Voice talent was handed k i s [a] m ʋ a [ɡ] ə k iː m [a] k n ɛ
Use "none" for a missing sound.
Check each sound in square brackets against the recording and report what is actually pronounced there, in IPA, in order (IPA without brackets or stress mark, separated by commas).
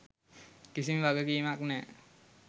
i, ɡ, a